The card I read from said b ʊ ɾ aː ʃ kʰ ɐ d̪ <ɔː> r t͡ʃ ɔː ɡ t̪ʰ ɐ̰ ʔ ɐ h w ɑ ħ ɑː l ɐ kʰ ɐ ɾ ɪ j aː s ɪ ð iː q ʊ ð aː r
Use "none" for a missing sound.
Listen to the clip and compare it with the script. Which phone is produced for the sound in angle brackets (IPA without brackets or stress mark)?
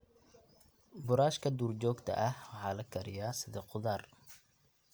uː